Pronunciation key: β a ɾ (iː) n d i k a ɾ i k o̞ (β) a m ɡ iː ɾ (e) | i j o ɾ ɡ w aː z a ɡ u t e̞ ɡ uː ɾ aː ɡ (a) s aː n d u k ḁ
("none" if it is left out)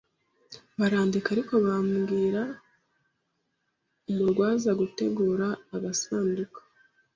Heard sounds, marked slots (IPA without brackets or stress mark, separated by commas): aː, β, a, a